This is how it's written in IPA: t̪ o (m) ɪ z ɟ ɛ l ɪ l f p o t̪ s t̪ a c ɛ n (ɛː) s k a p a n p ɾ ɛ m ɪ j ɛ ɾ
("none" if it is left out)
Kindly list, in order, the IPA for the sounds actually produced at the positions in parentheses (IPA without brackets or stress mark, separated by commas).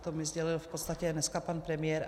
m, ɛ